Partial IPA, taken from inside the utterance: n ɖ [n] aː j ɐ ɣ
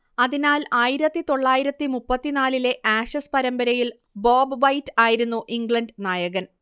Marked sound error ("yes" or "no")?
no